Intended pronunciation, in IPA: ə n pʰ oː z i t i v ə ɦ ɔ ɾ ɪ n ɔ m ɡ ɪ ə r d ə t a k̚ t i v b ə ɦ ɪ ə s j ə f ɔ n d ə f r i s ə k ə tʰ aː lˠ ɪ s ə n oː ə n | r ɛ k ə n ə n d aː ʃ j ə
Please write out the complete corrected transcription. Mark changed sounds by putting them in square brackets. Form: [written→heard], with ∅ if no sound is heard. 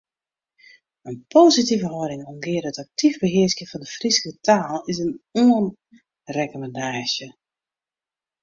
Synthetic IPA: ə n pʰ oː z i t i v ə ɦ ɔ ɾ ɪ [n→ŋ] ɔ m ɡ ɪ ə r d ə t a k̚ t i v b ə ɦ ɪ ə s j ə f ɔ n d ə f r i s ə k ə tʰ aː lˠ ɪ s ə n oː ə n | r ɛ k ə [n→m] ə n d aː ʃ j ə